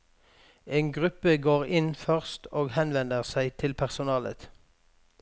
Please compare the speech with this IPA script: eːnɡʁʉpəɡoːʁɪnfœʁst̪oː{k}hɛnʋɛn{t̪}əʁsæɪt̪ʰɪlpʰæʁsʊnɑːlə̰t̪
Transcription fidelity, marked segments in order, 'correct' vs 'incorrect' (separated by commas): incorrect, incorrect